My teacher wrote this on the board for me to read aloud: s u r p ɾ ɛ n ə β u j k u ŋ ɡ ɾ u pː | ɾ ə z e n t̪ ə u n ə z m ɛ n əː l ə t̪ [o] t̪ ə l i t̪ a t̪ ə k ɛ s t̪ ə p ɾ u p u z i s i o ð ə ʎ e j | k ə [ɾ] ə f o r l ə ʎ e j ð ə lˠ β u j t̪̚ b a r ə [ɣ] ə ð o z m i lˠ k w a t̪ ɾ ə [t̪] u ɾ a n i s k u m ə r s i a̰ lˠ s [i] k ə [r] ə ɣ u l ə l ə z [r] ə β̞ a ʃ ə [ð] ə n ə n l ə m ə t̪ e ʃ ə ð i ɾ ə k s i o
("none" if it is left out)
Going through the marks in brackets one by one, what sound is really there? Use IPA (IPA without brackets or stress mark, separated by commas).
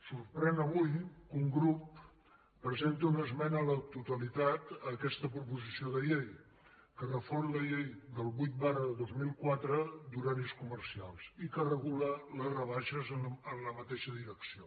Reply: u, r, ð, d̪, i, r, r, z